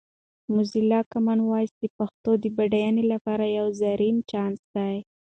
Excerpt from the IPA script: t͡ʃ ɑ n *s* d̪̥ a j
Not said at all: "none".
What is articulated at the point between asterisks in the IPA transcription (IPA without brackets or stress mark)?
s